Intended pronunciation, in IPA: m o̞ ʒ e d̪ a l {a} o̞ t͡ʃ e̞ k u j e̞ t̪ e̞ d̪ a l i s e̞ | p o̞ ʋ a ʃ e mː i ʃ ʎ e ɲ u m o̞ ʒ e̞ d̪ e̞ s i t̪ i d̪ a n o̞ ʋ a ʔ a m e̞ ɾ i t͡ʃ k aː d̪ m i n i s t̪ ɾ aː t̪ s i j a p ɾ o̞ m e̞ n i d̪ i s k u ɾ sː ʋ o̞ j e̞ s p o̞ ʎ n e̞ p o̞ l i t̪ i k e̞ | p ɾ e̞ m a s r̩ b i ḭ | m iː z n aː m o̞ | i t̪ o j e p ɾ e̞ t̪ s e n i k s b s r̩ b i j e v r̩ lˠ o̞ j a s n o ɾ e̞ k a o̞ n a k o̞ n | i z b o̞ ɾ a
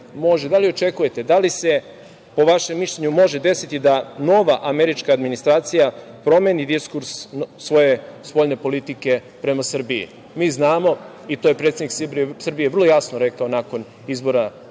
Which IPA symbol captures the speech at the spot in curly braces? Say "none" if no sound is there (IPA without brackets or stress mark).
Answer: i